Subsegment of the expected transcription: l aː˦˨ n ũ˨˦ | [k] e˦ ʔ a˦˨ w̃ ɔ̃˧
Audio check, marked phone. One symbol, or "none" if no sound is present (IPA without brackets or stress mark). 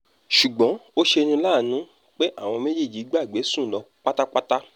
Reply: k͡p